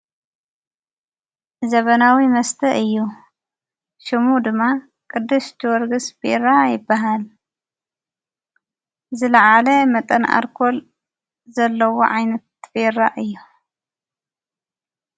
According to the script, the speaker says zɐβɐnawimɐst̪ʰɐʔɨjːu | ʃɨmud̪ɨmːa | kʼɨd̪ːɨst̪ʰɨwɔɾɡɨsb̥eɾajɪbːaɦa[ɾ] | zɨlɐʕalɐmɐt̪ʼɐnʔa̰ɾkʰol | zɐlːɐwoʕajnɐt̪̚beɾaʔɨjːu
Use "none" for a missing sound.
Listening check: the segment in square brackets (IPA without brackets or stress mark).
l